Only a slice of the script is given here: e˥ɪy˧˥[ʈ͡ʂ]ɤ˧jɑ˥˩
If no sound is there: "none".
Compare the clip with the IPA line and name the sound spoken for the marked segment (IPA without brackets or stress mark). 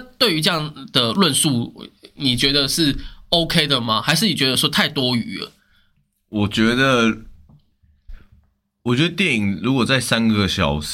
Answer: ʈ͡ʂ